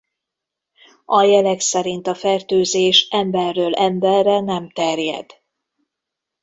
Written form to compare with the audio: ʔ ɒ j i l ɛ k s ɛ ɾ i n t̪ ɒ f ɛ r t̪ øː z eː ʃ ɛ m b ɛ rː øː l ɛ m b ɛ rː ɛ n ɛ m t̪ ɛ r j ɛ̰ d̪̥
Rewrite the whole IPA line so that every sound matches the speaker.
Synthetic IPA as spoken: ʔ ɒ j ɛ l ɛ k s ɛ ɾ i n t̪ ɒ f ɛ r t̪ øː z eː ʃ ɛ m b ɛ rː øː l ɛ m b ɛ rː ɛ n ɛ m t̪ ɛ r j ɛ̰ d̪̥